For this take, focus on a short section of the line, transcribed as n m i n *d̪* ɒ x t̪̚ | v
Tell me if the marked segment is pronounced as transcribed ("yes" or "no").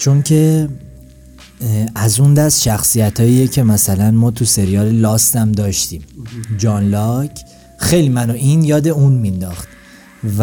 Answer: yes